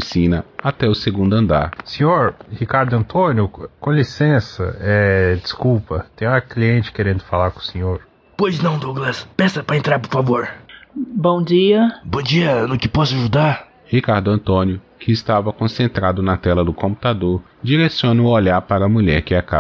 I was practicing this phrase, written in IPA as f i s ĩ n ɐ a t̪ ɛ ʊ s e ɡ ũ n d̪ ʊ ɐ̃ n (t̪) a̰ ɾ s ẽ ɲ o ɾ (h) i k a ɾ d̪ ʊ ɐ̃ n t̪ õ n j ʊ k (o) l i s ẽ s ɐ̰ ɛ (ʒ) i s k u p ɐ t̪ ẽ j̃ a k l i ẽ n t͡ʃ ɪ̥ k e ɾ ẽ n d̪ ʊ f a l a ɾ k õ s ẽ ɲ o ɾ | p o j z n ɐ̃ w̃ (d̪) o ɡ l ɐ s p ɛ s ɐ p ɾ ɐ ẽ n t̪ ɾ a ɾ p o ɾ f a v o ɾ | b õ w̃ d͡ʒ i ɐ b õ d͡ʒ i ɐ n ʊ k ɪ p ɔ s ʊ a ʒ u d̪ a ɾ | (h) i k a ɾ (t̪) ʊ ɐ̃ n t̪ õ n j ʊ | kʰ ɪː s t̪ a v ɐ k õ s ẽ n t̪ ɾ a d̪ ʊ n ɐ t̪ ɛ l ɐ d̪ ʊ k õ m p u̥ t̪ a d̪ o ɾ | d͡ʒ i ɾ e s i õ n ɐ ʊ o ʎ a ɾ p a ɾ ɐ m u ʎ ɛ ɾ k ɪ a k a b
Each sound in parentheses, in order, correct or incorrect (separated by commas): incorrect, correct, incorrect, incorrect, correct, correct, incorrect